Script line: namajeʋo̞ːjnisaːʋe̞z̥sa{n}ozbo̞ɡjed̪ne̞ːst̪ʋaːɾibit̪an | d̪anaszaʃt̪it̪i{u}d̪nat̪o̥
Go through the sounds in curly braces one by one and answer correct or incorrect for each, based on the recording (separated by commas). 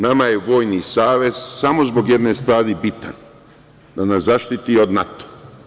incorrect, incorrect